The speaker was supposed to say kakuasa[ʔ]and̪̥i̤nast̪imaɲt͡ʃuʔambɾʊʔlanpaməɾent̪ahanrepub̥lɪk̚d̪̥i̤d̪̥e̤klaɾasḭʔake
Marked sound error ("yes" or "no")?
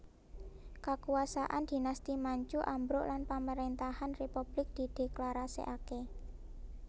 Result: no